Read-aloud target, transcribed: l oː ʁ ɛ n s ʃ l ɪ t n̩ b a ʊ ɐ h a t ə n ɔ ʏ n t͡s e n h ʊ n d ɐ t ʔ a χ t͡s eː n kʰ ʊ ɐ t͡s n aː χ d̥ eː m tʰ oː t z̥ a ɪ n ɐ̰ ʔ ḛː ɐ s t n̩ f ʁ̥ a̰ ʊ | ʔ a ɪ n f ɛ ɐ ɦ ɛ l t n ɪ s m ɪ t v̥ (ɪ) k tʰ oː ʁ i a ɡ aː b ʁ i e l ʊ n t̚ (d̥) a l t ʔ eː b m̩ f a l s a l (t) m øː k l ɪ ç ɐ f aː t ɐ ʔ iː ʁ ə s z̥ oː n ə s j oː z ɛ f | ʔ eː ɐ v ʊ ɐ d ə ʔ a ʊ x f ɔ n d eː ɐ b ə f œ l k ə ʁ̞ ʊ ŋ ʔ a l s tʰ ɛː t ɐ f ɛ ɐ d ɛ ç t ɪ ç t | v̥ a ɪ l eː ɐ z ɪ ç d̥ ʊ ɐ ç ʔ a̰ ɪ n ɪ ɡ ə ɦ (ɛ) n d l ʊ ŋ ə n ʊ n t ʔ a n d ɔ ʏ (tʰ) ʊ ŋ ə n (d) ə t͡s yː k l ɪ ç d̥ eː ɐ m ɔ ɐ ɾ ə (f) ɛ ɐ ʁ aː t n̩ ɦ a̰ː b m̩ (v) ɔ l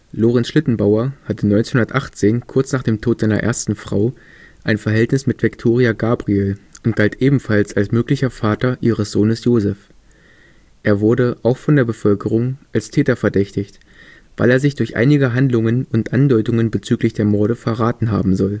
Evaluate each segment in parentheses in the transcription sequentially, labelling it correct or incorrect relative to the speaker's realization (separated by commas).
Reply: correct, incorrect, incorrect, incorrect, incorrect, incorrect, correct, incorrect